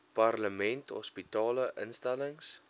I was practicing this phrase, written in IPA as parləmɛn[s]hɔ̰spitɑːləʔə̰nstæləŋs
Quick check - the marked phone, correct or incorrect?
incorrect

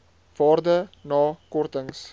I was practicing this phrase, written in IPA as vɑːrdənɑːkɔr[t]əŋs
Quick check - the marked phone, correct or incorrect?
correct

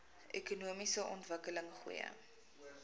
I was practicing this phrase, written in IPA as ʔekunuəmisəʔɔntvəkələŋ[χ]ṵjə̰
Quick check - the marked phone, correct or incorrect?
correct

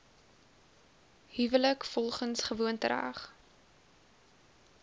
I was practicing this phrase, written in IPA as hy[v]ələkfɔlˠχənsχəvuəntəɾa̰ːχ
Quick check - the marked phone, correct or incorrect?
correct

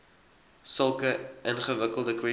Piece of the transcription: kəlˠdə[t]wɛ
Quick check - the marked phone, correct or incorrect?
incorrect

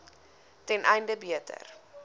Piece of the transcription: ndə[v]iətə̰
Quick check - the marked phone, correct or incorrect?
incorrect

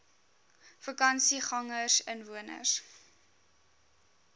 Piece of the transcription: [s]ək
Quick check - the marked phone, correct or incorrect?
incorrect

